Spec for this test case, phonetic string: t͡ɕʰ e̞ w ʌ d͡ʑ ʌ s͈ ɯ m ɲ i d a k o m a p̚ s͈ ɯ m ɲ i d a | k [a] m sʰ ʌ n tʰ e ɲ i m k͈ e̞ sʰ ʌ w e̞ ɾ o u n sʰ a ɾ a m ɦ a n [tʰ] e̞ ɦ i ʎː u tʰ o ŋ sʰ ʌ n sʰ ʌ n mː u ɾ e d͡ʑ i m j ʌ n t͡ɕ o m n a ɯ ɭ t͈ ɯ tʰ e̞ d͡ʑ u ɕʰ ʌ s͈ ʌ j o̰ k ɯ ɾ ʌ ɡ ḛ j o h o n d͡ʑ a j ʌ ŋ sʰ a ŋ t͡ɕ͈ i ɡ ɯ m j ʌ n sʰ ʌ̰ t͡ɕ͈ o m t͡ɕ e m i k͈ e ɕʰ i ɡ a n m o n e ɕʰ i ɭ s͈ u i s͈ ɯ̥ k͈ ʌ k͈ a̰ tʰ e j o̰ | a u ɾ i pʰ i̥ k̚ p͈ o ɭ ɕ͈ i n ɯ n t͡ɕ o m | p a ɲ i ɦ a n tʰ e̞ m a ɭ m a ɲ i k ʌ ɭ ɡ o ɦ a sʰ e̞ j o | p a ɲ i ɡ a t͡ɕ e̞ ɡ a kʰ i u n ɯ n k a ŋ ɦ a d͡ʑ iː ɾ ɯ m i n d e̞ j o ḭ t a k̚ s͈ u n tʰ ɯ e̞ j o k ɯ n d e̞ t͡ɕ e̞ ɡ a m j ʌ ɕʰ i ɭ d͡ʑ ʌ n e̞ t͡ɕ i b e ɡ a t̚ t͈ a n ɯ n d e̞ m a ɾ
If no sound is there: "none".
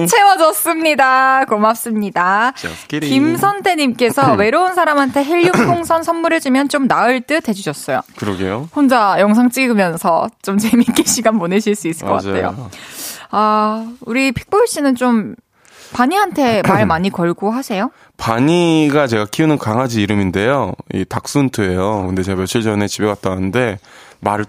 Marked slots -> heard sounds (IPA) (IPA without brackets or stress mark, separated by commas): i, tʰ